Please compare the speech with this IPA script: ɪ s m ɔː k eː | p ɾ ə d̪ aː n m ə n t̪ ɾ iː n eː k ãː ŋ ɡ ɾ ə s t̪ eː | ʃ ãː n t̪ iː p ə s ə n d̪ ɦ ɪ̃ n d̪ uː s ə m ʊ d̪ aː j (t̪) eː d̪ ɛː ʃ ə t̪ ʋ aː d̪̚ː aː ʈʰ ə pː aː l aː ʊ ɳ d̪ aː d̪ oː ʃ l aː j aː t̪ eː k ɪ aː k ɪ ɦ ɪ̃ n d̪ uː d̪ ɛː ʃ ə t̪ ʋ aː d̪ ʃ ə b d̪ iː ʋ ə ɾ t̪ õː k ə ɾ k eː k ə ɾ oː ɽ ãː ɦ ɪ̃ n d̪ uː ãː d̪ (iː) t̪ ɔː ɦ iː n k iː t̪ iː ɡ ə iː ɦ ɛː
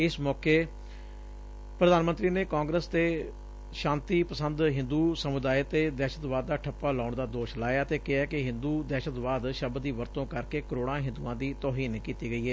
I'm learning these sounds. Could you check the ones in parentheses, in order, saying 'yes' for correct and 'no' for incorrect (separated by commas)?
yes, yes